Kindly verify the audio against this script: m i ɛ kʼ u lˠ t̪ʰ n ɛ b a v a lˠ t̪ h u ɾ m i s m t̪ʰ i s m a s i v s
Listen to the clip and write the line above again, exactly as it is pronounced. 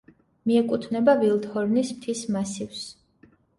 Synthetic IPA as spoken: m i ɛ kʼ u t̪ʰ n ɛ b a v i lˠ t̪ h ɔ ɾ n i s m t̪ʰ i s m a s i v s

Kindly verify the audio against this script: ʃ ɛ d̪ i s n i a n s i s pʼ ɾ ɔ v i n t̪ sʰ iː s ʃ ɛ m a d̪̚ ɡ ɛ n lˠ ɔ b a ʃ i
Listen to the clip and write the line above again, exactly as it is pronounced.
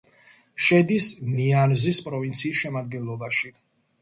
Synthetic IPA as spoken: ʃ ɛ d̪ i s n i a n z i s pʼ ɾ ɔ v i n t̪ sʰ iː s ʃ ɛ m a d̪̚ ɡ ɛ n lˠ ɔ b a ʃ i

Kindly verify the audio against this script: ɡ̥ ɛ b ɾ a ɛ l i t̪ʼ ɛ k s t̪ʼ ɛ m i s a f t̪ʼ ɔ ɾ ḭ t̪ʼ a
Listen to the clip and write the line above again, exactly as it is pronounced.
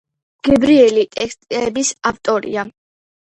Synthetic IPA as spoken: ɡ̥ ɛ b ɾ i ɛ l i t̪ʼ ɛ k s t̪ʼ ɛ b i s a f t̪ʼ ɔ ɾ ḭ a

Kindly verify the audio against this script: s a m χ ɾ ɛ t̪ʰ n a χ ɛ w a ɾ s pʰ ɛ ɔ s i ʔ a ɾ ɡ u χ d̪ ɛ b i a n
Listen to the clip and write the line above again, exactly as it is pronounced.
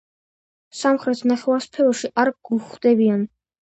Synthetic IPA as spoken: s a m χ ɾ ɛ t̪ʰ n a χ ɛ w a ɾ s pʰ ɛ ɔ ʃ i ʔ a ɾ ɡ u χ d̪ ɛ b i a n

